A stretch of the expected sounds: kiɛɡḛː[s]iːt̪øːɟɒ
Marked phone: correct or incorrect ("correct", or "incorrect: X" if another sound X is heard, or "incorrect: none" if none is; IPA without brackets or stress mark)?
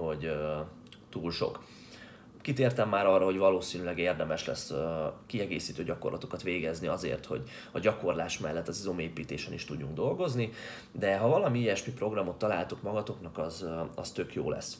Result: correct